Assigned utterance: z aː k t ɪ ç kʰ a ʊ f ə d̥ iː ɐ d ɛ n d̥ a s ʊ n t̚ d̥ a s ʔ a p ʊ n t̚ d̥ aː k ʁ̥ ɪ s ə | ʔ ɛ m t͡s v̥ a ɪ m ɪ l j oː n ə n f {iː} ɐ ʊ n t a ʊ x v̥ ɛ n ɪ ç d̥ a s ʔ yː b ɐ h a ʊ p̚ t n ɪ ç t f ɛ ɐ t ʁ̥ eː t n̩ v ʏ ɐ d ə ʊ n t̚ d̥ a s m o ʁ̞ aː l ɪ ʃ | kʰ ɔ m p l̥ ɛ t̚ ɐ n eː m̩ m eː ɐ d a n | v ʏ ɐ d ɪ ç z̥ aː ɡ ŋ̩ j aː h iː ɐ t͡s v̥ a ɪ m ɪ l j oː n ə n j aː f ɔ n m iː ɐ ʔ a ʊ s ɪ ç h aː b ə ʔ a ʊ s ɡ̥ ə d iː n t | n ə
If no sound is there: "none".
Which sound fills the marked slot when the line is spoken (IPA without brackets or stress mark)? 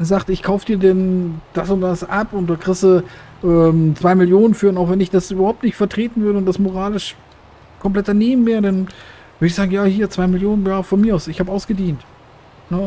yː